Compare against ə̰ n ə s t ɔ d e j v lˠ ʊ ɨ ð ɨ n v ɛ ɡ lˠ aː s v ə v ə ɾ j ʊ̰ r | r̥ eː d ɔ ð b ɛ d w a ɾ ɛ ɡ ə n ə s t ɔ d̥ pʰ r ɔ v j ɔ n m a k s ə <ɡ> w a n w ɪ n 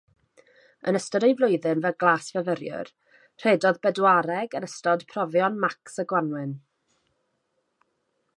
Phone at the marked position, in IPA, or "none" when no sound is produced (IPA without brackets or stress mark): ɡ